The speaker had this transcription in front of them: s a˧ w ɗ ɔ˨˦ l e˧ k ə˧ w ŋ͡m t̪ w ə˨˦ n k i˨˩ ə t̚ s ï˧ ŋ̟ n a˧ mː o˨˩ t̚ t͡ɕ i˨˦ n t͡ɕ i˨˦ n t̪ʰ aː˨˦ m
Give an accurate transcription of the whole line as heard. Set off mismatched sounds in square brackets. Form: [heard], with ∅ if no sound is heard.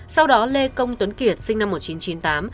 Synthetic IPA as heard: s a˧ w ɗ ɔ˨˦ l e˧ k ə˧ w ŋ͡m t̪ w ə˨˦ n k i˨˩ ə t̚ s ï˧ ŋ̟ n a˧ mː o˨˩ t̚ t͡ɕ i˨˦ n t͡ɕ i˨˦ n [t̪] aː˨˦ m